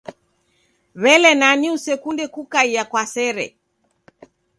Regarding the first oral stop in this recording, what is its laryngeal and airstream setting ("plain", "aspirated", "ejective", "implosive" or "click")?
plain